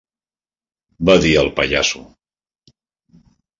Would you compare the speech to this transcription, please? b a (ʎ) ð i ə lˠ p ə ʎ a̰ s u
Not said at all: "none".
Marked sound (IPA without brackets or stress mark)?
none